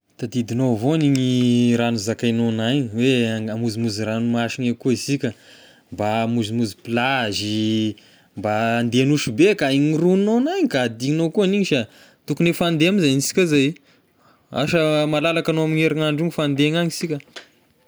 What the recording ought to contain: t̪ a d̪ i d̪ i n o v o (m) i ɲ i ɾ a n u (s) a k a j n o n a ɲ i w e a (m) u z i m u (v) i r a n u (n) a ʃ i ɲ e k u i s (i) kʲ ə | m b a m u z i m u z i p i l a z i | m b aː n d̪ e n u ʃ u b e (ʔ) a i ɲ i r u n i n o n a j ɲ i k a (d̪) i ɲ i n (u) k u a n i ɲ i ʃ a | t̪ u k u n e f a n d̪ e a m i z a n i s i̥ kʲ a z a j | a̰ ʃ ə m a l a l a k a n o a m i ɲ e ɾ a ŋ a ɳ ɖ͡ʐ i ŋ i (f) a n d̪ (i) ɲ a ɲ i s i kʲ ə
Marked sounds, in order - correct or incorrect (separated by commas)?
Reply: incorrect, incorrect, correct, incorrect, incorrect, correct, incorrect, correct, incorrect, correct, incorrect